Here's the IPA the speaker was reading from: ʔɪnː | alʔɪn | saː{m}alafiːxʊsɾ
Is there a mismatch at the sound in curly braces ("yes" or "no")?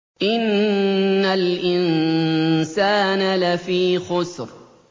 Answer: yes